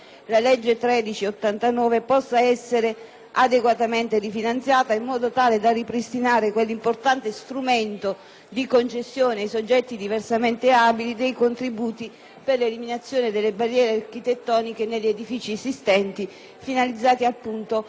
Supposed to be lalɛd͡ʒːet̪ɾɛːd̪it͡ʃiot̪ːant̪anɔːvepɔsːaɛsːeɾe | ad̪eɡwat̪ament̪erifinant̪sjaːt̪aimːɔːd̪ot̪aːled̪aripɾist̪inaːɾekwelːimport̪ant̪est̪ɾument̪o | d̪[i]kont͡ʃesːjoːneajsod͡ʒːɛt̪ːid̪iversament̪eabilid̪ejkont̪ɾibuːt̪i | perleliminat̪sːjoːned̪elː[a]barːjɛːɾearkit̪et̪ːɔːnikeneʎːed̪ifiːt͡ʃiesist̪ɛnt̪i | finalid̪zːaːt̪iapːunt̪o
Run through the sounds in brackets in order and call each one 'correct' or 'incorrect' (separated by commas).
correct, incorrect